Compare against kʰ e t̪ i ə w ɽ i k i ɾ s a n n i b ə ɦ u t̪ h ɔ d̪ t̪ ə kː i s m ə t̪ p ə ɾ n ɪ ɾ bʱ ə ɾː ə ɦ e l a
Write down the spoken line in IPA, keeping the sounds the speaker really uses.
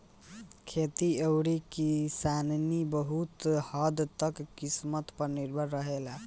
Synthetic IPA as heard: kʰ e t̪ i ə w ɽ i k i s a n n i b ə ɦ u t̪ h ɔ d̪ t̪ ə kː i s m ə t̪ p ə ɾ n i ɾ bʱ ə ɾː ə ɦ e l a